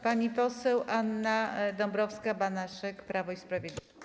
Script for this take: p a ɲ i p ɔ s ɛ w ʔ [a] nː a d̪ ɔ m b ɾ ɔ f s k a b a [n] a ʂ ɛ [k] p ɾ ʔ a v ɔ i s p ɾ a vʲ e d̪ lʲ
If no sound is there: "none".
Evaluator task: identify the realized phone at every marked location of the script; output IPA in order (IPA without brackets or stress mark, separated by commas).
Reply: a, n, k